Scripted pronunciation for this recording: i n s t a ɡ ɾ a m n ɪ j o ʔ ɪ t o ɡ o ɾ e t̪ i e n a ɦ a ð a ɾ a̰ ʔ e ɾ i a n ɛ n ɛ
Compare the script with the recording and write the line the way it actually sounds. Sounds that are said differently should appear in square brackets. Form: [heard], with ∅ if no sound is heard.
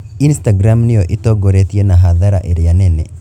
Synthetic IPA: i n s t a ɡ ɾ a m n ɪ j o ʔ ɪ t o ɡ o ɾ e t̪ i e n a ɦ a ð a ɾ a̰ ʔ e ɾ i a n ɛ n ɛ